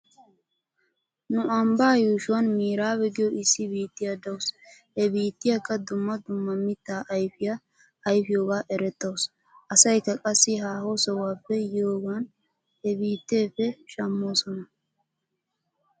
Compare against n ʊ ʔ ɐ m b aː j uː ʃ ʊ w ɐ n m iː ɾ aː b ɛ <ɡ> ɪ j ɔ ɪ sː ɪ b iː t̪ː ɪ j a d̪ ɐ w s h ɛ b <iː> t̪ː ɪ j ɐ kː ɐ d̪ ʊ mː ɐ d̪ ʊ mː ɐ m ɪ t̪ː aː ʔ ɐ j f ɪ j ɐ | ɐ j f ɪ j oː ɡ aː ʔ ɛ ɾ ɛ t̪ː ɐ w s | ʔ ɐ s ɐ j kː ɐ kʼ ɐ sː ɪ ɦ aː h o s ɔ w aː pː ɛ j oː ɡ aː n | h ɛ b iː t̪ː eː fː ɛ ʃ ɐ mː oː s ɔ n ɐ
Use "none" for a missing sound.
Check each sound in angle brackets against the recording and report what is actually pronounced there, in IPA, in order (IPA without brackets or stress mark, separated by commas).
ɡ, iː